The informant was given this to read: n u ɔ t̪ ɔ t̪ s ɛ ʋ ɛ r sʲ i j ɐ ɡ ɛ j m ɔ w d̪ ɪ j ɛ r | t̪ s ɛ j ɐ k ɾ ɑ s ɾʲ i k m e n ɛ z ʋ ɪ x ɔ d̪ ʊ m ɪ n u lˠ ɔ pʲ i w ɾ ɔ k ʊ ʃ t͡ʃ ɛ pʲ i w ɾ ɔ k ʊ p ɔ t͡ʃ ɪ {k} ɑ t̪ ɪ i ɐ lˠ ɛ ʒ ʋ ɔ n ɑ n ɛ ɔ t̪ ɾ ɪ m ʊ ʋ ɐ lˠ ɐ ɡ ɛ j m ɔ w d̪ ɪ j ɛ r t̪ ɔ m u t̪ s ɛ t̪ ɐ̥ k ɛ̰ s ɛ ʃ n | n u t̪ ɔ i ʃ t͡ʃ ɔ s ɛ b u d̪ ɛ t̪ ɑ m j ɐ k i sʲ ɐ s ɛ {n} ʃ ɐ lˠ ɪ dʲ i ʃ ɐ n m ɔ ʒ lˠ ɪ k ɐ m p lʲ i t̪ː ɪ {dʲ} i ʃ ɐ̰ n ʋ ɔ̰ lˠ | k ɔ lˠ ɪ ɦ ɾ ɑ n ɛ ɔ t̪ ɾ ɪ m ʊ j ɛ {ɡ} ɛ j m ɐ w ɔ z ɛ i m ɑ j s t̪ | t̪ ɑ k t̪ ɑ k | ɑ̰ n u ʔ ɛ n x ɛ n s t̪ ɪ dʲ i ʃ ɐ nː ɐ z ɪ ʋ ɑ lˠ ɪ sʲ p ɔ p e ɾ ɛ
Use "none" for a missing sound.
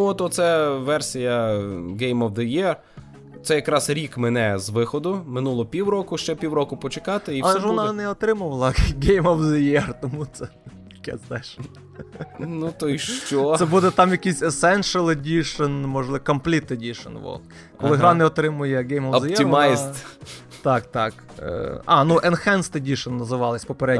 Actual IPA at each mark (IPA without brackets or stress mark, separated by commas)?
k, n, dʲ, ɡ